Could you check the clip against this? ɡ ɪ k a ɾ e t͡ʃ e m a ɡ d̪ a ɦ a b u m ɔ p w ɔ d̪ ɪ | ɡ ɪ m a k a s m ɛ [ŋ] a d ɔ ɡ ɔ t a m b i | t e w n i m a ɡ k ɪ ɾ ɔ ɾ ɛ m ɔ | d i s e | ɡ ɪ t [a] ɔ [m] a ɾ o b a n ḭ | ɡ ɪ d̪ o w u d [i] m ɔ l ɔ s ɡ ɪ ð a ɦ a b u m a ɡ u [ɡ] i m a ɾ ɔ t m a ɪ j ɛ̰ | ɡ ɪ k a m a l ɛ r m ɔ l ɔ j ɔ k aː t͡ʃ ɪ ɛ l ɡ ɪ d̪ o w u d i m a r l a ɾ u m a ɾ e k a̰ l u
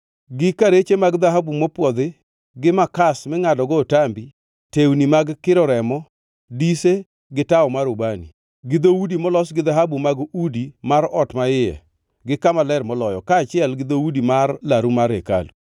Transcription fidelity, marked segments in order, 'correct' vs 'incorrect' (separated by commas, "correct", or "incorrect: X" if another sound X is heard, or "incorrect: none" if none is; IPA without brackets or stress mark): correct, correct, correct, correct, incorrect: d